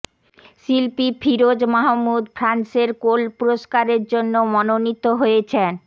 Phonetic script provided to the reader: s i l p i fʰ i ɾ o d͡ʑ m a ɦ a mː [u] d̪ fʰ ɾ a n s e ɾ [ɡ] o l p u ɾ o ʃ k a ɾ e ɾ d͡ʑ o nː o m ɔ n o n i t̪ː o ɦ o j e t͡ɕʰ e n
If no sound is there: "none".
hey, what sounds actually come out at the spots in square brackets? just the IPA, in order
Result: u, k

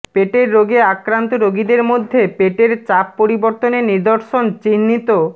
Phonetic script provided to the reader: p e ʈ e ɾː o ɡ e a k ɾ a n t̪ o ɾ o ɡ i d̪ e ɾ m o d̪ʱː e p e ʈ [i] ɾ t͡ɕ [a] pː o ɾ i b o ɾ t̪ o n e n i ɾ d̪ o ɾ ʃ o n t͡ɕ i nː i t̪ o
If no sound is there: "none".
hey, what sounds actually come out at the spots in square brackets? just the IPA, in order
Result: e, a

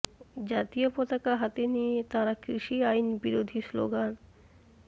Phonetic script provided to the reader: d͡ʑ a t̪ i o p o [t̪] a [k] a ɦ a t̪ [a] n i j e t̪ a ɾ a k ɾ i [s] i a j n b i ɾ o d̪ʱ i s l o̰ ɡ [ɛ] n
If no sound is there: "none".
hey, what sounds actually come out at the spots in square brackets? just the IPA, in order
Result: t̪, k, e, ʃ, a

